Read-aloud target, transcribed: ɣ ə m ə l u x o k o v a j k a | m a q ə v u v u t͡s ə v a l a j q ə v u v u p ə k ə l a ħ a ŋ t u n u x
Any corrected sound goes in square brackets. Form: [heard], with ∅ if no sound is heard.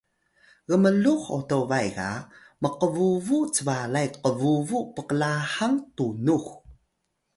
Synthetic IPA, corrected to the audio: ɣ ə m ə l u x o [t] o v a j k a | m [ə] q ə v u v u t͡s ə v a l a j q ə v u v u p ə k ə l a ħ a ŋ t u n u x